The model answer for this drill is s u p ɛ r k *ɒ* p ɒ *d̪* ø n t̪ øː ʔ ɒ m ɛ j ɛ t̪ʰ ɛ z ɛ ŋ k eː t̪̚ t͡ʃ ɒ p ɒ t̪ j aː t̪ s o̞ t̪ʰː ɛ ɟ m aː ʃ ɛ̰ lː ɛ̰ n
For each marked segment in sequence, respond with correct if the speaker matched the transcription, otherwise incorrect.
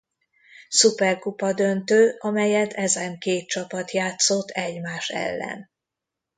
incorrect, correct

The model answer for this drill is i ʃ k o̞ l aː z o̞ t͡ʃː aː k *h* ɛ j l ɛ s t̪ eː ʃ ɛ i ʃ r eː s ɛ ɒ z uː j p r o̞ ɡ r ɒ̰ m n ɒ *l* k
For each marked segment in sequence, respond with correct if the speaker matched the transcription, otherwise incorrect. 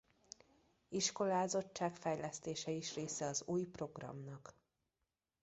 incorrect, incorrect

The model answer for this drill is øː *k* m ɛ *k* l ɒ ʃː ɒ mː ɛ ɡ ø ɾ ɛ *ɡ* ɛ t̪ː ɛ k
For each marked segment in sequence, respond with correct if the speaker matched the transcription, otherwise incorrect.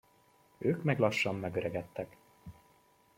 correct, incorrect, correct

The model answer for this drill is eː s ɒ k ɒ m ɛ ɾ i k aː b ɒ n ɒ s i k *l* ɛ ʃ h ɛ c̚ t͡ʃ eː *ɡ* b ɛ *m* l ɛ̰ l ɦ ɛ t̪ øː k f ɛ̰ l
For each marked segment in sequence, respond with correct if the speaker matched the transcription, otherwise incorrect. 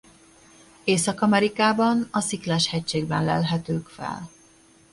correct, correct, incorrect

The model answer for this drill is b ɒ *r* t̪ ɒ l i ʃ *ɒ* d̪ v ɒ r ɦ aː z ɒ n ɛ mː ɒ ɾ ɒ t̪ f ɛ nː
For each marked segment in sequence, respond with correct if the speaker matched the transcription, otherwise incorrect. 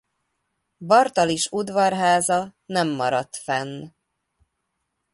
correct, incorrect

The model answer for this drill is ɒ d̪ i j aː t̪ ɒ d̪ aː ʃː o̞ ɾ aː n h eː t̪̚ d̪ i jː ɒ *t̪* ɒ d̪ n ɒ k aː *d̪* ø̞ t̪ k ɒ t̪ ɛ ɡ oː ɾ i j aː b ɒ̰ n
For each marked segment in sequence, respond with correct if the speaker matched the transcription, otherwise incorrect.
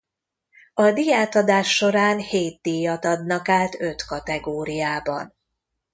correct, incorrect

